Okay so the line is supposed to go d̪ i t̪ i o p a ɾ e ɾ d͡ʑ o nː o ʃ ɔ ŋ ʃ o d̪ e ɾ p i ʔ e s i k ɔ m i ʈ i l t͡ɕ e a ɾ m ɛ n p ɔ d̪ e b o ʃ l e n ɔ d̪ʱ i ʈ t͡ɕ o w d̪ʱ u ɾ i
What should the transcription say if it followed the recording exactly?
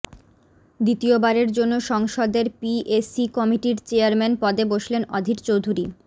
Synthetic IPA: d̪ i t̪ i o b a ɾ e ɾ d͡ʑ o nː o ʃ ɔ ŋ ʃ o d̪ e ɾ p i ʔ e s i k ɔ m i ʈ i ɾ t͡ɕ e a ɾ m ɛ n p ɔ d̪ e b o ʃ l e n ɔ d̪ʱ i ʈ t͡ɕ o w d̪ʱ u ɾ i